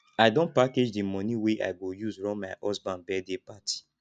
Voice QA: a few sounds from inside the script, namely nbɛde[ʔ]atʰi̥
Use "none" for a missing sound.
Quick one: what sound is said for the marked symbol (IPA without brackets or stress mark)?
p